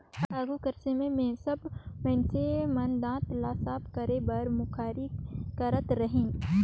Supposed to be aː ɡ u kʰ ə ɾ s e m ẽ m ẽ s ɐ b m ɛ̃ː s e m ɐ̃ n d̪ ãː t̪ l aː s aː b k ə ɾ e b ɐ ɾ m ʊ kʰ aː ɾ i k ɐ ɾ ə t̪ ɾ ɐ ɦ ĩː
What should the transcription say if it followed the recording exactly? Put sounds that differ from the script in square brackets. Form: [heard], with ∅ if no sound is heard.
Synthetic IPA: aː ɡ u [k] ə ɾ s e m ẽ m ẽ s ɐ b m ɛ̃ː s e m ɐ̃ n d̪ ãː t̪ l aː s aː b k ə ɾ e b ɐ ɾ m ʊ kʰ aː ɾ i k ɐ ɾ ə t̪ ɾ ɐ ɦ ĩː